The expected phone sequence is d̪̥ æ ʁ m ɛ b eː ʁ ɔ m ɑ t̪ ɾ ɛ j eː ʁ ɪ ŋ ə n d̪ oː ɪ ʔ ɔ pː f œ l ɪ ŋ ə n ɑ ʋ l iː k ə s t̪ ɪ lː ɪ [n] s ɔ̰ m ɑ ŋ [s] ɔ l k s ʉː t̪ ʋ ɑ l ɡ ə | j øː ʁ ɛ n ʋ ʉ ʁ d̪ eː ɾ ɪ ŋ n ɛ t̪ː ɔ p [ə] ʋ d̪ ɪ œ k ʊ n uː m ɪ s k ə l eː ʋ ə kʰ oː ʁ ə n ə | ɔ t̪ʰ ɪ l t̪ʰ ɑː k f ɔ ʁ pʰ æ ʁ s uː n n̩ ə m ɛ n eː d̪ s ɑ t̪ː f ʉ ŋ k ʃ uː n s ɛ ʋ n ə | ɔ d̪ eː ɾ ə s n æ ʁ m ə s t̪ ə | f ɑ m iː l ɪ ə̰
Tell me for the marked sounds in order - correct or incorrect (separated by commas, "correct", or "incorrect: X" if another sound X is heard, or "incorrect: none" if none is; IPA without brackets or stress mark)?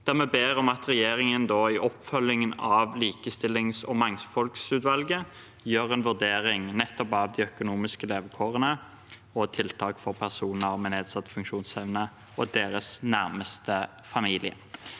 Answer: incorrect: ŋ, incorrect: f, incorrect: ɑ